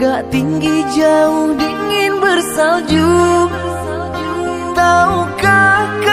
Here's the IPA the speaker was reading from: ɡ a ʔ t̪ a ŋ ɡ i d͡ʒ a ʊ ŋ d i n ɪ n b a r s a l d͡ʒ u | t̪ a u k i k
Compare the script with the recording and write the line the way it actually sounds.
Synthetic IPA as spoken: ɡ a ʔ t̪ i ŋ ɡ i d͡ʒ a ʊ ŋ d i ŋ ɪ n b ə r s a l d͡ʒ u | t̪ a u k a k